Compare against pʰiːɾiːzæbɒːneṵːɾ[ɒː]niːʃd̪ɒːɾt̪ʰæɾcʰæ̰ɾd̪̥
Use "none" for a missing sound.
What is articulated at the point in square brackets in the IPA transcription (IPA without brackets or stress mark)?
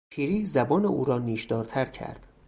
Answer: ɒː